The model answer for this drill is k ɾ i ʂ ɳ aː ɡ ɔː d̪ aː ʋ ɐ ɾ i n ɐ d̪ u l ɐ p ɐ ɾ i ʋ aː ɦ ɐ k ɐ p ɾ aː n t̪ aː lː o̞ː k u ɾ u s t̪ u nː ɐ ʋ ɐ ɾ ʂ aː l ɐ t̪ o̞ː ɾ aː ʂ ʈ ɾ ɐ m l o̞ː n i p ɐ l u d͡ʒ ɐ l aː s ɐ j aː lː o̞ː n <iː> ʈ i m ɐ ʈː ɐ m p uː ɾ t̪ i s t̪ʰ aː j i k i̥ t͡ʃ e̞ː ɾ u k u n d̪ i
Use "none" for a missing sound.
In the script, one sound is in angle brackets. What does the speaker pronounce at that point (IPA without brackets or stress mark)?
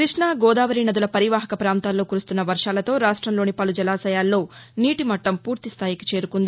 iː